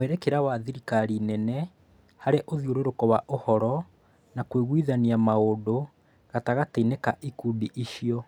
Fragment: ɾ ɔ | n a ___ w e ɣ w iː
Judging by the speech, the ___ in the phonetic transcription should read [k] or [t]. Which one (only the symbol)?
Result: k